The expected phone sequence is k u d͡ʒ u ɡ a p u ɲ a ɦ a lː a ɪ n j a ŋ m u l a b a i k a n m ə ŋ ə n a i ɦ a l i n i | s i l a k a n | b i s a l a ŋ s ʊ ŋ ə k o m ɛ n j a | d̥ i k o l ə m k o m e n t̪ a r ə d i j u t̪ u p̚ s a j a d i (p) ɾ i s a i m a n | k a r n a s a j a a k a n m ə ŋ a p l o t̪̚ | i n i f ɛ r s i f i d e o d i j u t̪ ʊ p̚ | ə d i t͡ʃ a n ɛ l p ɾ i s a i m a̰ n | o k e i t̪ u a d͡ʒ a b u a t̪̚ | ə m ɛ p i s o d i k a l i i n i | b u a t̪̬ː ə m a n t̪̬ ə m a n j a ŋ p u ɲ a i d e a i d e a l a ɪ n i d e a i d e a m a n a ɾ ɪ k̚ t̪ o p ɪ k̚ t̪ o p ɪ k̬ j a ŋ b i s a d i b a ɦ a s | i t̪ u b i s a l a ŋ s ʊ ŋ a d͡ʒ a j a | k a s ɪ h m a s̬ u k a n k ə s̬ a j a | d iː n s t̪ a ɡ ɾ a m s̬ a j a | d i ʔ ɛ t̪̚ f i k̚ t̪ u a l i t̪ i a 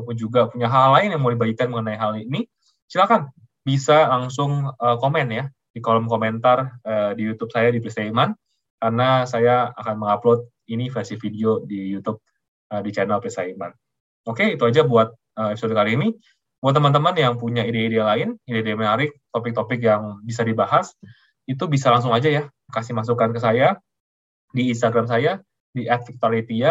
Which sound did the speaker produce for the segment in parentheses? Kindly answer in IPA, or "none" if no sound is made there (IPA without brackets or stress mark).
p